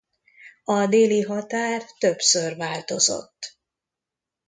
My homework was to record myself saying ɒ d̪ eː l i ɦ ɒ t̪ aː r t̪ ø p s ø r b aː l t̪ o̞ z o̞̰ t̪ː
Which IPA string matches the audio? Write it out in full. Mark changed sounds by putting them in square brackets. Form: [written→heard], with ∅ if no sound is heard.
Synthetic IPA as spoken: ɒ d̪ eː l i ɦ ɒ t̪ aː r t̪ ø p s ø r [b→v] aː l t̪ o̞ z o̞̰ t̪ː